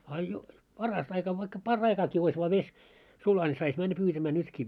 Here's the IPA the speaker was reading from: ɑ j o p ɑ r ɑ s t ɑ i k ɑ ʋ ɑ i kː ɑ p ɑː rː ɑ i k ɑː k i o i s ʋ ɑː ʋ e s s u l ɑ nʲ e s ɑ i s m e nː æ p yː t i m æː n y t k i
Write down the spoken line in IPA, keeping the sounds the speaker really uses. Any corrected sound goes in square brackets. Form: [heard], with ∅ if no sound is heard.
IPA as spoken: ɑ j o p ɑ r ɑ s t ɑ i k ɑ ʋ ɑ i kː ɑ p [ɑ] rː ɑ i k ɑː k i o i s ʋ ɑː ʋ e s s u l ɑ nʲ [i] s ɑ i s m [æ] nː æ p yː t [æ] m æː n y t k i